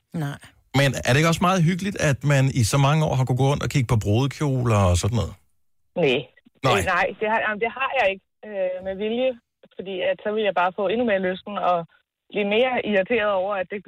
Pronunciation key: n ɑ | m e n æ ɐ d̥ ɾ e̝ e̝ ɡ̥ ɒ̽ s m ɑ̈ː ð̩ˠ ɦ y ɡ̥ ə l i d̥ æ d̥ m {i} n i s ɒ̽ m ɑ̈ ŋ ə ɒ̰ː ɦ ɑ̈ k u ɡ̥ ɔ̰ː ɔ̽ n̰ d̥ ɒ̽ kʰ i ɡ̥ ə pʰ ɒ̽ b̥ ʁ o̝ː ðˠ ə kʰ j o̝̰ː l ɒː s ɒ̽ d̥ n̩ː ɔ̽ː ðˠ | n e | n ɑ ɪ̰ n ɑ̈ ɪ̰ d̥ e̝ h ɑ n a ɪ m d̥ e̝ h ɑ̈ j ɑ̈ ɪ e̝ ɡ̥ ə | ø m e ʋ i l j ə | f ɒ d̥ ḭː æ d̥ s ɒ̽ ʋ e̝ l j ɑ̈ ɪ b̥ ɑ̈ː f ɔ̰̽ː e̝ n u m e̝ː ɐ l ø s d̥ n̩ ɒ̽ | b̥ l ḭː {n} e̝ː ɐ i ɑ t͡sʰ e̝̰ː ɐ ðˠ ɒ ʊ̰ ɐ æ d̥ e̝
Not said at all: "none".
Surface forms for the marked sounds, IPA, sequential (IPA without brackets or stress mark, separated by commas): æ, m